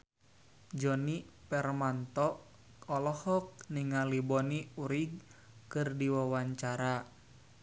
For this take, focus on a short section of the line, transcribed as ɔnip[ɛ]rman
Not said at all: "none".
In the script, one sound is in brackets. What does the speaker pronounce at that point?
ɛ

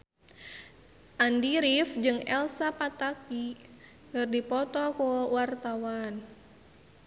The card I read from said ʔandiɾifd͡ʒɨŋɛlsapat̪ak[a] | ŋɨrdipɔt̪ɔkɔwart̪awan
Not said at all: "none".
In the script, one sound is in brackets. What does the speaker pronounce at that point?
i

